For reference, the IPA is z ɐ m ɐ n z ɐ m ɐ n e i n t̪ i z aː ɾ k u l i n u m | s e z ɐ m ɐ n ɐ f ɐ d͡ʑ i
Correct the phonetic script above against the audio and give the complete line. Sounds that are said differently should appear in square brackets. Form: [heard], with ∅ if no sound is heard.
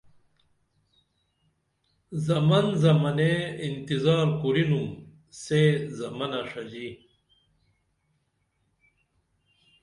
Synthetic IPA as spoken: z ɐ m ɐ n z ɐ m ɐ n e i n t̪ i z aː ɾ k u [ɾ] i n u m | s e z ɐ m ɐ n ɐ [ʂ] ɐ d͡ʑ i